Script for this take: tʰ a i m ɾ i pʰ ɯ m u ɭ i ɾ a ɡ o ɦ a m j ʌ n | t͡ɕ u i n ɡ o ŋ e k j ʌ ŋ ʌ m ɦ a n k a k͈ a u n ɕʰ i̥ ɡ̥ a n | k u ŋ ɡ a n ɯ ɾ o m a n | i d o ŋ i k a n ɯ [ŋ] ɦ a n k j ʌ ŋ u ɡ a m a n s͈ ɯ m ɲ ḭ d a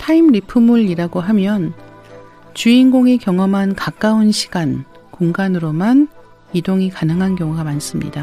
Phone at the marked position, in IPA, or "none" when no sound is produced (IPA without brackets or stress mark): ŋ